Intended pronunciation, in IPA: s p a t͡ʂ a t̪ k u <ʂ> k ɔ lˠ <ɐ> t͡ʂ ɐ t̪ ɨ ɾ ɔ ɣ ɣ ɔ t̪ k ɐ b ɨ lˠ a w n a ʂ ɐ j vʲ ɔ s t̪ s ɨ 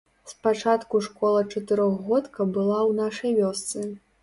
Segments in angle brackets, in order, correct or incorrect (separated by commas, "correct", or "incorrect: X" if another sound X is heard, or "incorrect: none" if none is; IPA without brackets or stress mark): correct, correct